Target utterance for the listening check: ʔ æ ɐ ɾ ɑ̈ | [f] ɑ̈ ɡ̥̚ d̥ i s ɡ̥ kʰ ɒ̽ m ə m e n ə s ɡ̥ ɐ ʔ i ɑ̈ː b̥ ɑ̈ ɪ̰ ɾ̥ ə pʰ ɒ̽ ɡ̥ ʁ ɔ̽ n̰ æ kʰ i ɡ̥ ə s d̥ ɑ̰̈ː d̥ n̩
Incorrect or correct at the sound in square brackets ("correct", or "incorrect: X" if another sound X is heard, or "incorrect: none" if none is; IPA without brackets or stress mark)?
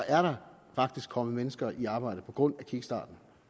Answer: correct